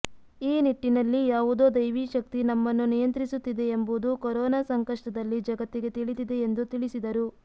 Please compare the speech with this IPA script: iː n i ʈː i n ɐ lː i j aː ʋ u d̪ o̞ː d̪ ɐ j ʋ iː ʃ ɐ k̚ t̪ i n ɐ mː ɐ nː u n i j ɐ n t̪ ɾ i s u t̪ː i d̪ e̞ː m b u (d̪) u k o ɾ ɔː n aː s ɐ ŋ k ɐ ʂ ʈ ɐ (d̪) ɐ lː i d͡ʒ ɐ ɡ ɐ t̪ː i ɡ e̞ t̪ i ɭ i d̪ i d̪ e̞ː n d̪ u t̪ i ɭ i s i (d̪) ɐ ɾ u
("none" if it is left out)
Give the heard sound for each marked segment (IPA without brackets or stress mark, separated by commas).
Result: d̪, d̪, d̪